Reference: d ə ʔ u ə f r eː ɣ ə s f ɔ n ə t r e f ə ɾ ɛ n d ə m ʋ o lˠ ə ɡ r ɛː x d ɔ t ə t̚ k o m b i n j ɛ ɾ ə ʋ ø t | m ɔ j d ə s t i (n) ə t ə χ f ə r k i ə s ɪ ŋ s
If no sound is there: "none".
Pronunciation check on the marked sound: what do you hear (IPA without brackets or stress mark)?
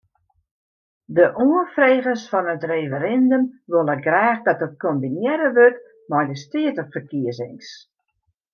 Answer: none